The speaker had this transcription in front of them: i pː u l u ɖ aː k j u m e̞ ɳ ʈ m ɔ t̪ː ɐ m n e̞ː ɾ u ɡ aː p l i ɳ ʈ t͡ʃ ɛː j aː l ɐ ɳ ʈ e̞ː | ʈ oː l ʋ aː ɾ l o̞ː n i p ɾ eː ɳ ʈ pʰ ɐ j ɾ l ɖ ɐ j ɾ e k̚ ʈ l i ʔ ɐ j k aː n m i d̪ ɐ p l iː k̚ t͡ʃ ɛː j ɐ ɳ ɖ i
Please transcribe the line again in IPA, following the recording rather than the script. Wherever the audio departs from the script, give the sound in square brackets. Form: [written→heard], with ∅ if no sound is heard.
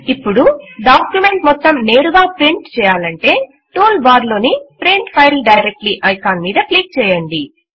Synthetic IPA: i pː u [l→ɽ] u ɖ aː k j u m e̞ ɳ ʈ m ɔ t̪ː ɐ m n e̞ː ɾ u ɡ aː p [l→ɾ] i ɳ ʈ t͡ʃ ɛː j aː l ɐ ɳ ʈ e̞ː | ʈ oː l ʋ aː ɾ l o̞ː n i p ɾ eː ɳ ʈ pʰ ɐ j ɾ l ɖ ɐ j ɾ e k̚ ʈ l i ʔ ɐ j k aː n m [i→iː] d̪ ɐ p l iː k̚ t͡ʃ ɛː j ɐ ɳ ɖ i

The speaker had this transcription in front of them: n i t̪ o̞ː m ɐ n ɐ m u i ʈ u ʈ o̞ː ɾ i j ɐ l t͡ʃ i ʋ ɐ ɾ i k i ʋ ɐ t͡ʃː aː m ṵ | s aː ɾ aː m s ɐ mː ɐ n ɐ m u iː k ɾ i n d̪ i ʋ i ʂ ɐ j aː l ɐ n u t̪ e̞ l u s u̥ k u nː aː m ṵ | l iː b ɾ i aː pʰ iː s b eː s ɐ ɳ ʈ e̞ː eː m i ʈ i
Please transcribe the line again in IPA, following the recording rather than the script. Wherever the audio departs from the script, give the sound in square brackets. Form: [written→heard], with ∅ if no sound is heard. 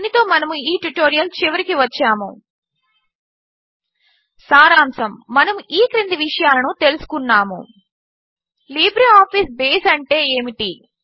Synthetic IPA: n i t̪ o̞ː m ɐ n ɐ m u [i→iː] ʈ u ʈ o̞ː ɾ i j ɐ l t͡ʃ i ʋ ɐ ɾ i k i ʋ ɐ t͡ʃː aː m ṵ | s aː ɾ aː m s ɐ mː ɐ n ɐ m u iː k ɾ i n d̪ i ʋ i ʂ ɐ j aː l ɐ n u t̪ e̞ l u s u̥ k u nː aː m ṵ | l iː b ɾ i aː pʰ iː s b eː s ɐ ɳ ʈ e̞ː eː m i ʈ i

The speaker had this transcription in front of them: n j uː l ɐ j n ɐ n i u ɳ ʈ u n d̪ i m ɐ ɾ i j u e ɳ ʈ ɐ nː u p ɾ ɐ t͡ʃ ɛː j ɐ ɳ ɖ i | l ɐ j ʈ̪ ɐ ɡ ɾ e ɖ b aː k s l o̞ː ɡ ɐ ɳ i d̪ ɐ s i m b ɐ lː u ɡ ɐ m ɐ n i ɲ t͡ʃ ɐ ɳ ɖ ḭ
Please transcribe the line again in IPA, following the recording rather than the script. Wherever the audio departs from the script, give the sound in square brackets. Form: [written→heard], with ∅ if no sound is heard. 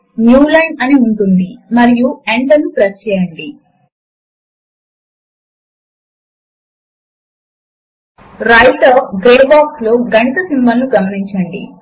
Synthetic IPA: n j uː l ɐ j n ɐ n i u ɳ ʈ u n d̪ i m ɐ ɾ i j u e ɳ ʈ ɐ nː u p ɾ ɐ t͡ʃ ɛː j ɐ ɳ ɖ i | [l→ɾ] ɐ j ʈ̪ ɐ ɡ ɾ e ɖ b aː k s l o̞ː ɡ ɐ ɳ i [d̪→t̪] ɐ s i m b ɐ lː u ɡ ɐ m ɐ n i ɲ t͡ʃ ɐ ɳ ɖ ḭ

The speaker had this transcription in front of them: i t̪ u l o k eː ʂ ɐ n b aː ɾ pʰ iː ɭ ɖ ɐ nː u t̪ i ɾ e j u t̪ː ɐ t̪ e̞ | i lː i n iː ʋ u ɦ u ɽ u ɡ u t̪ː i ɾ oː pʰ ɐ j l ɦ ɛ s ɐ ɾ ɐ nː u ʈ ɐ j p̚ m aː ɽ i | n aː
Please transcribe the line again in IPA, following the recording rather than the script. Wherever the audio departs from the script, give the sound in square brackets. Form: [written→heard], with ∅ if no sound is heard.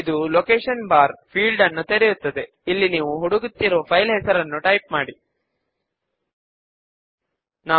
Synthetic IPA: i [t̪→d̪] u l o k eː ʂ ɐ n b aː ɾ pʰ iː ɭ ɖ ɐ nː u t̪ [i→e] ɾ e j u t̪ː ɐ [t̪→d̪] e̞ | i lː i n iː ʋ u ɦ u ɽ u ɡ u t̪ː i ɾ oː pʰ ɐ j l ɦ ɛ s ɐ ɾ ɐ nː u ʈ ɐ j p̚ m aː ɽ i | n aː

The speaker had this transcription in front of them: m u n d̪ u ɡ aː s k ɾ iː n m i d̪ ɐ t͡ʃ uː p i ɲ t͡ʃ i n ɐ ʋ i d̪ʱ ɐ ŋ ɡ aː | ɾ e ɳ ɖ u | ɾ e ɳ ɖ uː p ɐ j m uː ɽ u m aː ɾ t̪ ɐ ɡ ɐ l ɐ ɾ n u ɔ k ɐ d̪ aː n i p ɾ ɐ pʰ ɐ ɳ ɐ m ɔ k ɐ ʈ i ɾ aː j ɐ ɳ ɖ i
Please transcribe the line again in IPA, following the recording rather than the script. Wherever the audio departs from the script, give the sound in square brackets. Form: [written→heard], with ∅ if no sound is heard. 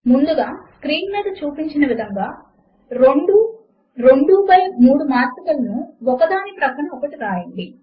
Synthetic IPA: m u n d̪ u ɡ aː s k ɾ iː n m [i→iː] d̪ ɐ t͡ʃ uː p i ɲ t͡ʃ i n ɐ ʋ i d̪ʱ ɐ ŋ ɡ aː | ɾ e ɳ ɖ u | ɾ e ɳ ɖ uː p ɐ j m uː ɽ u m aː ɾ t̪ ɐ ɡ ɐ l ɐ [ɾ→∅] n u ɔ k ɐ d̪ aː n i p ɾ ɐ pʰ ɐ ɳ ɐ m ɔ k ɐ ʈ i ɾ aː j ɐ ɳ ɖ i

